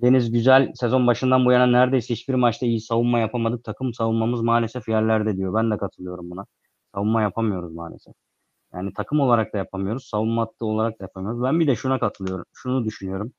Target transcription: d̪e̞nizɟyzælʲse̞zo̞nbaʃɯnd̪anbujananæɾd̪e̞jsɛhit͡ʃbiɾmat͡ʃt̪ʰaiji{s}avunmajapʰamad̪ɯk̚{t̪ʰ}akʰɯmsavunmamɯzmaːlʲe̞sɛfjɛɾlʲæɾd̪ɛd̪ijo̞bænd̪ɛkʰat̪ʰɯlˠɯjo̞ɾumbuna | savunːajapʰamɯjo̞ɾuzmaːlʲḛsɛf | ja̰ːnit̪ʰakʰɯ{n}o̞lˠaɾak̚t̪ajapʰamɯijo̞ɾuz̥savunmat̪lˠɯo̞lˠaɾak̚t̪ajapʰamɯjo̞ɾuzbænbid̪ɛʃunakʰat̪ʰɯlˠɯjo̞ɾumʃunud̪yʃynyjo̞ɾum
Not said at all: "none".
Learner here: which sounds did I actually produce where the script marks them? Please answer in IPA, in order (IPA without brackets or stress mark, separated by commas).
s, t̪ʰ, m